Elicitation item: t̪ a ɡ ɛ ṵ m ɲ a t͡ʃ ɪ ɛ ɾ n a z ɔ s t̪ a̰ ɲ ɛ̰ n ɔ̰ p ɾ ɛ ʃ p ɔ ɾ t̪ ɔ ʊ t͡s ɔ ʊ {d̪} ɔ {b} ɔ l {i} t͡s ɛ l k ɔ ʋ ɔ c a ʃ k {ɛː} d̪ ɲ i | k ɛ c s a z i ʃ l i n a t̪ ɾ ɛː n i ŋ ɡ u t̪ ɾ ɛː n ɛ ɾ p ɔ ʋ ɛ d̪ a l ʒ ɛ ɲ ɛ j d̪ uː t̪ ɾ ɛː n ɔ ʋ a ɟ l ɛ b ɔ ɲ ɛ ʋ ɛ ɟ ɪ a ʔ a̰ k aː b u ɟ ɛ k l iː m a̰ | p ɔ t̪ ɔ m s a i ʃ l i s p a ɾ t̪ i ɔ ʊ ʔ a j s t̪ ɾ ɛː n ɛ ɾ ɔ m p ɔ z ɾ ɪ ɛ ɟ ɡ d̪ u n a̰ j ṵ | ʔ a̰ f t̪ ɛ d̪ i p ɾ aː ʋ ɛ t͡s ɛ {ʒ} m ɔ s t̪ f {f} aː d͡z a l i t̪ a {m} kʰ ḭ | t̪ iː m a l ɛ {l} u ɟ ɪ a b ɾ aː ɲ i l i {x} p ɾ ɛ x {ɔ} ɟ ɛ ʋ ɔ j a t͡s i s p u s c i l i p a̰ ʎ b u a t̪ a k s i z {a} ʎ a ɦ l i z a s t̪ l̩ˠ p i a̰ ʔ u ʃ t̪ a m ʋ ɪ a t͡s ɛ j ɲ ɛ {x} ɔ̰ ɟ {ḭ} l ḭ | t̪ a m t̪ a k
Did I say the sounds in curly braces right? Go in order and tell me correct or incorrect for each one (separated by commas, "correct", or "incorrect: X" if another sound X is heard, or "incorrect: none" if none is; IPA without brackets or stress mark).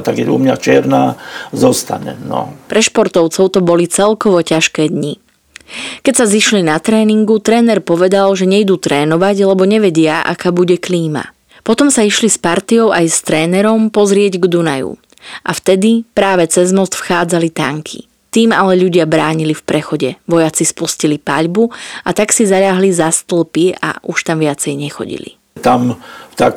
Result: incorrect: t̪, correct, correct, correct, incorrect: z, incorrect: x, incorrect: ŋ, incorrect: ʎ, incorrect: f, correct, correct, correct, correct